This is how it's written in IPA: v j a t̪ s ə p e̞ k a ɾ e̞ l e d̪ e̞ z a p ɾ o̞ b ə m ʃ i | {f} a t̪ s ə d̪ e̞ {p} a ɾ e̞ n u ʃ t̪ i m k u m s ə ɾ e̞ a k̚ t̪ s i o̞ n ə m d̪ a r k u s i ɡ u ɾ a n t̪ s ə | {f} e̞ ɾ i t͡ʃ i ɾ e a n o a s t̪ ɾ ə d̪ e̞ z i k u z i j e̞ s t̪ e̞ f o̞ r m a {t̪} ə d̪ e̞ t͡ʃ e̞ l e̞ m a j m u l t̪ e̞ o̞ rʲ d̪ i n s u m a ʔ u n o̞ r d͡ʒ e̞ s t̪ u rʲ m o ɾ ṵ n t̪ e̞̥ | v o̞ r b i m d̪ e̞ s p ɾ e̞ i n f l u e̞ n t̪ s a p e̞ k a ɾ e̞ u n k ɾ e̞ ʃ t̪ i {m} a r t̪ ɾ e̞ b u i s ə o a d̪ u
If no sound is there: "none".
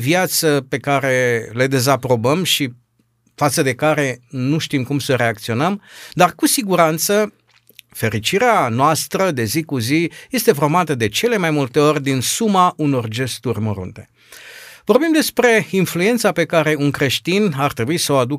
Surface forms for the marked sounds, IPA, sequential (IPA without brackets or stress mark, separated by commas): f, k, f, t̪, n